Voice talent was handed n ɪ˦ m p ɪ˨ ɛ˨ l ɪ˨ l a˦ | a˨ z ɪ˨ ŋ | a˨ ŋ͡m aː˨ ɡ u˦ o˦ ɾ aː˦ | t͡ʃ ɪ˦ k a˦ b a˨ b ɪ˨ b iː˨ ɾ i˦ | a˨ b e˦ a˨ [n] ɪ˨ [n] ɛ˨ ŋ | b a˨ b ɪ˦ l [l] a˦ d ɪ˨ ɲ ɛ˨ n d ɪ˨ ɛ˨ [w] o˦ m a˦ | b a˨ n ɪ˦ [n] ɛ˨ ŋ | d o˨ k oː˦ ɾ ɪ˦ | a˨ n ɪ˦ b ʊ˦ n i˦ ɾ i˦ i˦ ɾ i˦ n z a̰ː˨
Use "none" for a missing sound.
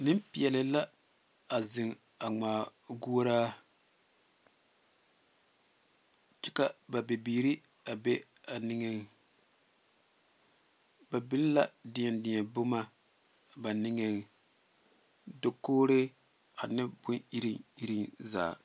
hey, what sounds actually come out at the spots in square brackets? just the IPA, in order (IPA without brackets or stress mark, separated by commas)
n, ŋ, l, b, ŋ